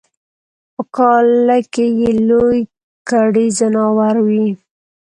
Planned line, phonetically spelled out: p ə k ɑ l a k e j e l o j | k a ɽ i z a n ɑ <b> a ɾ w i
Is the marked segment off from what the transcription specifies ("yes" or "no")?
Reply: yes